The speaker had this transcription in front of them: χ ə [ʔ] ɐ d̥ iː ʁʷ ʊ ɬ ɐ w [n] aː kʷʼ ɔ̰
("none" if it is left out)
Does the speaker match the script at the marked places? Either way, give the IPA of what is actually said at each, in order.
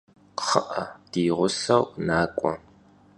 ʔ, n

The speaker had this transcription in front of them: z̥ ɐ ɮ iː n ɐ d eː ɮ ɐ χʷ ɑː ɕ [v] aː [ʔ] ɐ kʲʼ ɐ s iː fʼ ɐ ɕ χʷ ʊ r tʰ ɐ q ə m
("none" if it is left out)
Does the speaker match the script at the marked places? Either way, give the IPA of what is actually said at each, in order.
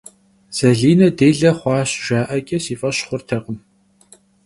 ʒ, ʔ

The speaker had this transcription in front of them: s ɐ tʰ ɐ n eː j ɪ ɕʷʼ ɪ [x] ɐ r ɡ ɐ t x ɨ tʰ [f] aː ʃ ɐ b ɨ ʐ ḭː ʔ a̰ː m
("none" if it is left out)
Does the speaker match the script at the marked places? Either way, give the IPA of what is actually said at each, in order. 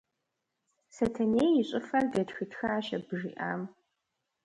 f, x

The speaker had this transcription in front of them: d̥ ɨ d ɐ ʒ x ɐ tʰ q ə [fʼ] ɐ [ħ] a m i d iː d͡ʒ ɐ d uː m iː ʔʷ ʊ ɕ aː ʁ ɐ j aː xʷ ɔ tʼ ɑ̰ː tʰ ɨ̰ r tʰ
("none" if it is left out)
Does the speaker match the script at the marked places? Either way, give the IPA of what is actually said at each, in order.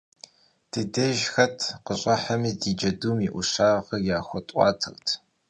ɕʼ, ħ

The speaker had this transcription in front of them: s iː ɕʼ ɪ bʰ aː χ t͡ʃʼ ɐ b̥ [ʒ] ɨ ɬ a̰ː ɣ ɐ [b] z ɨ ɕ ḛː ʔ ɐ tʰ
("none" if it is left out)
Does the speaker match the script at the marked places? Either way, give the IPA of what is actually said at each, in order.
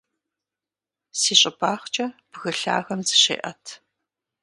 ɣ, m

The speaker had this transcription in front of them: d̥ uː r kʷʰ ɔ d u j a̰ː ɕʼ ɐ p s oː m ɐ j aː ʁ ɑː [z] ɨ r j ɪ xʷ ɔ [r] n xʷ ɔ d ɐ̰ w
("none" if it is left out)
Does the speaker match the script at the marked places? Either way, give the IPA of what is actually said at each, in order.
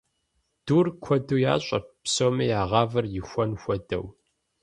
v, none

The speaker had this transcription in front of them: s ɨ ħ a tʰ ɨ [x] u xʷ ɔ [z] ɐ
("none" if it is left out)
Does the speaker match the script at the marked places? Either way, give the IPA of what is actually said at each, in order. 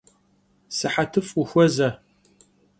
f, z

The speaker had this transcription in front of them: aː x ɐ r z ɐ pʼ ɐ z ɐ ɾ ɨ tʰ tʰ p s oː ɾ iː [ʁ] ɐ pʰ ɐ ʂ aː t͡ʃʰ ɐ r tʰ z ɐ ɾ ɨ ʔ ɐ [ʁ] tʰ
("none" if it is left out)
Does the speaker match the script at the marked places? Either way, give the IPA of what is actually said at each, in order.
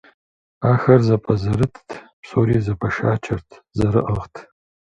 z, ʁ

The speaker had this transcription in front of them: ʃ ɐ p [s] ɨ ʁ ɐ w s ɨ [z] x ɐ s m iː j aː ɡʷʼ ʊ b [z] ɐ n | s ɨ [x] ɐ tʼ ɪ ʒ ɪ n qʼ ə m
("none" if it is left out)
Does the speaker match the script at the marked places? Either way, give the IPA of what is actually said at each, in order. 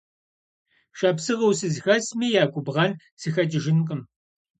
s, z, ʁ, x

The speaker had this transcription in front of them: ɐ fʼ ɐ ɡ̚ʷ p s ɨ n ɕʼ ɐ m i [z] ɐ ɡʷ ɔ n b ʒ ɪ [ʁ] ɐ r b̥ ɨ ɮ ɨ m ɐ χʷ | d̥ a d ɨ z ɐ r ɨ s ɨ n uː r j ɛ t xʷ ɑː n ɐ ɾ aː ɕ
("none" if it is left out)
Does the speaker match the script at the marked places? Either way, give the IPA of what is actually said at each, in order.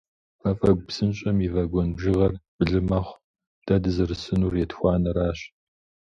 v, ʁ

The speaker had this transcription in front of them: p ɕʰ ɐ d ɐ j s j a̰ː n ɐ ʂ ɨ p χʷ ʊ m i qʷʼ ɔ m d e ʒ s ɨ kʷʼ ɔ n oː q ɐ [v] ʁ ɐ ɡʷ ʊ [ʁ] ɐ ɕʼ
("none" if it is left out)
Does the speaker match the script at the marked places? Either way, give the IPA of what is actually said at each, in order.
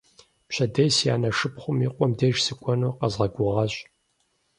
z, ʁ

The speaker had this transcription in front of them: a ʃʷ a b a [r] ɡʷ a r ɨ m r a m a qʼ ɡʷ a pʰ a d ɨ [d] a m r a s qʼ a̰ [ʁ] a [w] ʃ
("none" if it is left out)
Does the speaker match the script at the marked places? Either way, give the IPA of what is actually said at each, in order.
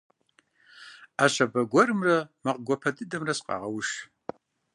none, d, ʁ, w

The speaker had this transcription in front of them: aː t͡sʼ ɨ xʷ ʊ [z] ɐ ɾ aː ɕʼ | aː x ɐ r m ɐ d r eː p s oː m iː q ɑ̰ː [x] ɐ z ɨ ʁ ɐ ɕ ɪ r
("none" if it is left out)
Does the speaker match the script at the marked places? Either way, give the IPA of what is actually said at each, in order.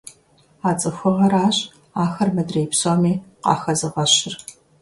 ʁ, x

